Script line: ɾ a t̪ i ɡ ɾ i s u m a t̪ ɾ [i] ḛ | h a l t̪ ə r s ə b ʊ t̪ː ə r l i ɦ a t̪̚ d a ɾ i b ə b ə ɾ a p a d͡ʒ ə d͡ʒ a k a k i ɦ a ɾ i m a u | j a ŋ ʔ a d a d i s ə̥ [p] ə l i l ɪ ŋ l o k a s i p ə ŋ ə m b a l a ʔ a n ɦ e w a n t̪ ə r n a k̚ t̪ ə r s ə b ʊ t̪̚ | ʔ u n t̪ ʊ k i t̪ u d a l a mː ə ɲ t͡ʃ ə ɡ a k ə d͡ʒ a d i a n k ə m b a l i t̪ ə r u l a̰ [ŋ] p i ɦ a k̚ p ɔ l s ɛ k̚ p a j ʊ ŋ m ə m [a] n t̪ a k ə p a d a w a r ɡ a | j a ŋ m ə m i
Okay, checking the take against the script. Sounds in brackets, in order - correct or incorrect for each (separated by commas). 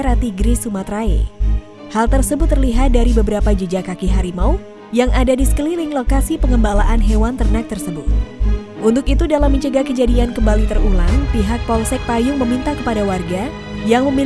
incorrect, incorrect, correct, incorrect